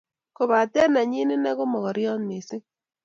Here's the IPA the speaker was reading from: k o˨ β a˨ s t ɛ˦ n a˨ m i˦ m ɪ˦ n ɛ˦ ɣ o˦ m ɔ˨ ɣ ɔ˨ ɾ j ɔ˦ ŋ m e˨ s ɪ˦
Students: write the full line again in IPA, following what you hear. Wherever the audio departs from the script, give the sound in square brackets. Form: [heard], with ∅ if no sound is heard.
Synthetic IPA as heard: k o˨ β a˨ [∅] t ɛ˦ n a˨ [ɲ] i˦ [n] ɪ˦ n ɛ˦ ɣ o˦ m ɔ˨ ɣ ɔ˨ ɾ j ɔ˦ [n] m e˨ s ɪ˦

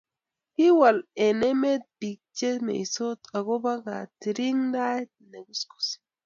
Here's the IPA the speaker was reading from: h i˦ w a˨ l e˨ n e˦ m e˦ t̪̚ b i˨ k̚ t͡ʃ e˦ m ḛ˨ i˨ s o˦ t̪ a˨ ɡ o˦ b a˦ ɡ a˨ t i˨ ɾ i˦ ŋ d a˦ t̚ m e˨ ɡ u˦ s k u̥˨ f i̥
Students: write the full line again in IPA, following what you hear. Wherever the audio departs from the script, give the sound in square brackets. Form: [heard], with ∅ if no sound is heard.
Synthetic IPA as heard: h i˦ w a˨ l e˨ n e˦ m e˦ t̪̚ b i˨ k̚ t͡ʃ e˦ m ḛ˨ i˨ s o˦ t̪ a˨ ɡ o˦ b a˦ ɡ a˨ t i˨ ɾ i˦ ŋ d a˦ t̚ [n] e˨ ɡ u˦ s k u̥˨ [s] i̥

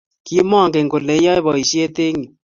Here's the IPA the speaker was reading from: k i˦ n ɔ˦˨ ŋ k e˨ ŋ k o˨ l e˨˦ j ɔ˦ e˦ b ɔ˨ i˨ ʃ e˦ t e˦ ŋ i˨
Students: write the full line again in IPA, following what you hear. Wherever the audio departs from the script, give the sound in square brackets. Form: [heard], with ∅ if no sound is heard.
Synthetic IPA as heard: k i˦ [m] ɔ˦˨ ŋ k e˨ ŋ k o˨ l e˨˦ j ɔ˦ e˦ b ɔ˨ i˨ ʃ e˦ t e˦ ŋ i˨

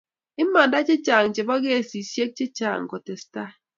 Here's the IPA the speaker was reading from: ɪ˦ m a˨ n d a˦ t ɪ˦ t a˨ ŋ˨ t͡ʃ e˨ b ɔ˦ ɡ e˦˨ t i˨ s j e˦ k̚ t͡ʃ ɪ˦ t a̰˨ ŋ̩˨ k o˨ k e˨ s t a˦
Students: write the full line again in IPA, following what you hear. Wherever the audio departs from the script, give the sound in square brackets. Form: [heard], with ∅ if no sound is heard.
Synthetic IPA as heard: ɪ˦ m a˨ n d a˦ [t͡ʃ] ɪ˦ [t͡ʃ] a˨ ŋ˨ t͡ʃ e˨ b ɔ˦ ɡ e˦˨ [s] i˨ s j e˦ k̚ t͡ʃ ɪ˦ [t͡ʃ] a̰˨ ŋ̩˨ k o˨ [t] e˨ s t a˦

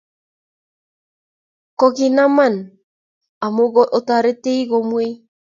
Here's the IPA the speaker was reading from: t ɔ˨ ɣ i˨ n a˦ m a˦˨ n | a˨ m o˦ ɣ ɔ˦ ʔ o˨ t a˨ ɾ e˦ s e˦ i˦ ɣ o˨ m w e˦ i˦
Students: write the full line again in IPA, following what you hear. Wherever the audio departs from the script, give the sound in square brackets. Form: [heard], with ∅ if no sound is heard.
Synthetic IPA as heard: [k] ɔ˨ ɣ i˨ n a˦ m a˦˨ n | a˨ m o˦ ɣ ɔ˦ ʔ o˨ t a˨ ɾ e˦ [t] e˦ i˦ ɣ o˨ m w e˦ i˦

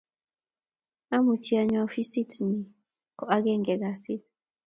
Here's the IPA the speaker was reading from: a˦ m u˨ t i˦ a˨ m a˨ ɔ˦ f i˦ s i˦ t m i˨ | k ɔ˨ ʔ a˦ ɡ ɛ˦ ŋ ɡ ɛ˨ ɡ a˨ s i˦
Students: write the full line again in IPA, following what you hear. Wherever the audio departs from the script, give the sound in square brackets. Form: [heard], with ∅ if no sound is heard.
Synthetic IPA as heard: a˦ m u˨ [t͡ʃ] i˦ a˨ [ɲ] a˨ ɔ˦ f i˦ s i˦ t [n] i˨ | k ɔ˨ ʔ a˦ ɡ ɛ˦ ŋ ɡ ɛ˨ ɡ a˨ s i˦

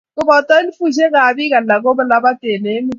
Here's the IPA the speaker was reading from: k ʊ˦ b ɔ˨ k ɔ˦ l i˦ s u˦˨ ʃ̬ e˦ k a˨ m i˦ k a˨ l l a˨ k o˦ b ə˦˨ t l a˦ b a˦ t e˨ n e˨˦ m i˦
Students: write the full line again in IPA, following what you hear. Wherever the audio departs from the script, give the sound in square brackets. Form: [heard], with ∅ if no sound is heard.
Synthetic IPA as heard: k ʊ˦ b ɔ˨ [t] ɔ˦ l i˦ [f] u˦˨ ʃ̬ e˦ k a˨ [b] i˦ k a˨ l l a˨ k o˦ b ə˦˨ [∅] l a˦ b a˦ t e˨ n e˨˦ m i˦

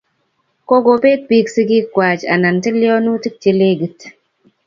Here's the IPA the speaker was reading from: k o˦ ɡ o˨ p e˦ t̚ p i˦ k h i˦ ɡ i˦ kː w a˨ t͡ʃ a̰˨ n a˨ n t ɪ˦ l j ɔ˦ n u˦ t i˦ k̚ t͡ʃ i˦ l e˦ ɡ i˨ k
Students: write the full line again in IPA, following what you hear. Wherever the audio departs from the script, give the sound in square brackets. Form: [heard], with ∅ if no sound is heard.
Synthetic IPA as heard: k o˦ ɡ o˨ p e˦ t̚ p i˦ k [s] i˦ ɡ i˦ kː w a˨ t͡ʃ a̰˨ n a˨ n t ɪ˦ l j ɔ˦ n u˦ t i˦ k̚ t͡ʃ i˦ l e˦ ɡ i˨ [t]

